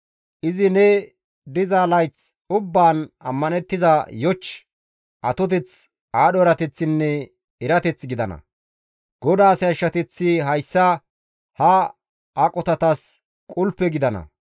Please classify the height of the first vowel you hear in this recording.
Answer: high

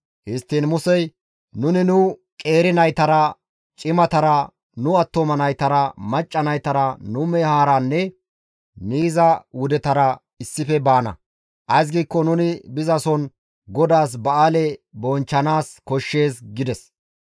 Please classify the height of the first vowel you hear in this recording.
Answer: high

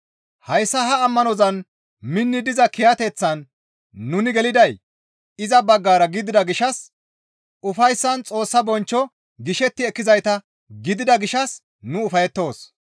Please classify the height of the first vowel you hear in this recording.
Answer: low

